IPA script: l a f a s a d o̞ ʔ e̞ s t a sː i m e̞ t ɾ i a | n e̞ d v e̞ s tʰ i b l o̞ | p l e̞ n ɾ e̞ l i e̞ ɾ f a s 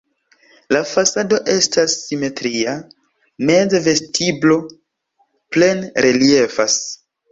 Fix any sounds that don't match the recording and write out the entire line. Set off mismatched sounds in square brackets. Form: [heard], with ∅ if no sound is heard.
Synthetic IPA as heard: l a f a s a d o̞ ʔ e̞ s t a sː i m e̞ t ɾ i a | n e̞ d v e̞ s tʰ i b l o̞ | p l e̞ n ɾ e̞ l i e̞ [∅] f a s